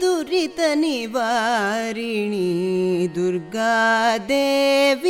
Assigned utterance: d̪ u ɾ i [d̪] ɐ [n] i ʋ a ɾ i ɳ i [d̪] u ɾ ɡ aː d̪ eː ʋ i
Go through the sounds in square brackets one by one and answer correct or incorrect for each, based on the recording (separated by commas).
incorrect, correct, correct